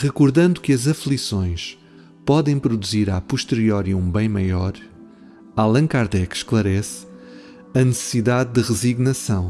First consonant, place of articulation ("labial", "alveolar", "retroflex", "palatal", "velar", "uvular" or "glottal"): uvular